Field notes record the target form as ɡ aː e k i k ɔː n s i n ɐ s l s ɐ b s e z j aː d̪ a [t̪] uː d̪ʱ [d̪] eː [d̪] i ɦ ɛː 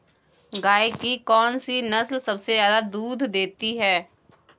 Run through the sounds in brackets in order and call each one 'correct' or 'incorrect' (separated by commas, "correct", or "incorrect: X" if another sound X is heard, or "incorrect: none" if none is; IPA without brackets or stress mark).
incorrect: d̪, correct, incorrect: t̪